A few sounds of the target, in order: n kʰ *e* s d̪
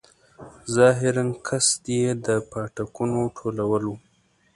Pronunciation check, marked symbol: incorrect: a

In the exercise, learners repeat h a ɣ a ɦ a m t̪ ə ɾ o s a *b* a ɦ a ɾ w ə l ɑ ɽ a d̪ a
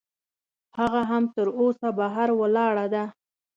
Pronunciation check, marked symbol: correct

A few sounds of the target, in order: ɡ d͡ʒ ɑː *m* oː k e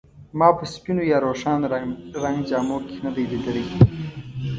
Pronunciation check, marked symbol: correct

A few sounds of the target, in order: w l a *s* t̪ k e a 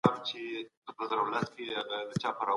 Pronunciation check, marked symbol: correct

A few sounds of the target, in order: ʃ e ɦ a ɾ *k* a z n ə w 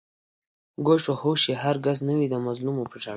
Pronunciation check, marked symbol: incorrect: ɡ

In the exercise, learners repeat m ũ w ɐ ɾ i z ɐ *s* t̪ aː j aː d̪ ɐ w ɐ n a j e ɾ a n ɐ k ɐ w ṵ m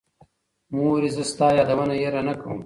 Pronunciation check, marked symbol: correct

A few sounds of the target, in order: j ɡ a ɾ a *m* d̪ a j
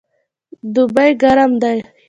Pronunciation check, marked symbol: correct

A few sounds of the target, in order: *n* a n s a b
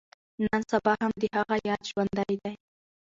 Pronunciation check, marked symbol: correct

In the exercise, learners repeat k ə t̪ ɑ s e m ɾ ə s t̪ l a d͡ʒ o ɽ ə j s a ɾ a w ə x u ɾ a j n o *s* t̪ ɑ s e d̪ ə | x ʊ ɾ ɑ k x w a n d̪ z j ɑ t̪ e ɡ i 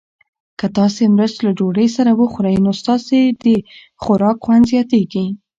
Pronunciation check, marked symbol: correct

